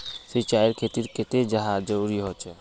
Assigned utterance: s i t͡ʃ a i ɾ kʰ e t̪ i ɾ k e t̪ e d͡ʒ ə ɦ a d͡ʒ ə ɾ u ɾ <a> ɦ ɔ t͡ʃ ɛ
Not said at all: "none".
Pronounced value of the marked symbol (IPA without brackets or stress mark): i